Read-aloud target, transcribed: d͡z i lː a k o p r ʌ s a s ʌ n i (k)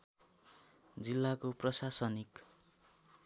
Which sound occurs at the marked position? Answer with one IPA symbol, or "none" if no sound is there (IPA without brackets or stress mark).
k